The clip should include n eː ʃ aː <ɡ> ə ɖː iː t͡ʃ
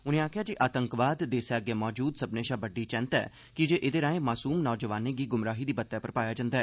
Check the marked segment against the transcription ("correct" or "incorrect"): incorrect